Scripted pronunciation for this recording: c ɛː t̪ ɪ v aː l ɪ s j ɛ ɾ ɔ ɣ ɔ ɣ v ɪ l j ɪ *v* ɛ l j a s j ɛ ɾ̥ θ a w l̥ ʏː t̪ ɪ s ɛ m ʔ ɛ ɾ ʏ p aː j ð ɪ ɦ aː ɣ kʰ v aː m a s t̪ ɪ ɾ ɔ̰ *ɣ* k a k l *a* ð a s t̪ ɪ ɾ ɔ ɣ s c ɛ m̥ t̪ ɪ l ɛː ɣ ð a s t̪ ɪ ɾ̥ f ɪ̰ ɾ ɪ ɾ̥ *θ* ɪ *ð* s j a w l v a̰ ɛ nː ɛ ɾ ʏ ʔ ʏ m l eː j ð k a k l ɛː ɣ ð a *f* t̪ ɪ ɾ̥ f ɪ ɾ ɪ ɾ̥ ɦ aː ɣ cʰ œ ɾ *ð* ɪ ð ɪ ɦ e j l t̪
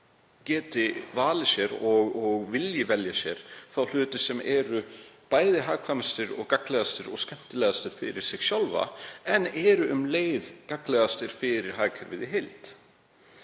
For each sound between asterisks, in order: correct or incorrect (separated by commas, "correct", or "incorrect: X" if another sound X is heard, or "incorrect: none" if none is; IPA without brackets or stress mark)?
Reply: correct, correct, incorrect: ɛ, incorrect: s, incorrect: ɣ, incorrect: s, incorrect: v